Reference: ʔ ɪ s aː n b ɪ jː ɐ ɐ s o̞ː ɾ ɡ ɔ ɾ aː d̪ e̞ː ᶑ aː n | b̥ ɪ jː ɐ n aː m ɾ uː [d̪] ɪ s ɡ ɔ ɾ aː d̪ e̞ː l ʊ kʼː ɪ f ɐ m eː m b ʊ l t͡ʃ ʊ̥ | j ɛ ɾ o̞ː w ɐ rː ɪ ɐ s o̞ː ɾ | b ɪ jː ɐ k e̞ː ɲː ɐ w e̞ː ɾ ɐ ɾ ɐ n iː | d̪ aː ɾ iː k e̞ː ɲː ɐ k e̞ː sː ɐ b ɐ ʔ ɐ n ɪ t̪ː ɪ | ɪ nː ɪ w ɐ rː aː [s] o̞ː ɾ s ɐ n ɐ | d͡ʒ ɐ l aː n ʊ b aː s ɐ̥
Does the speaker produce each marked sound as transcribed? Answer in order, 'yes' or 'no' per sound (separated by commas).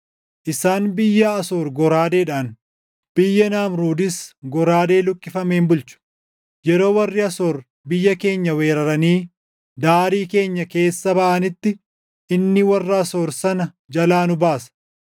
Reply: yes, yes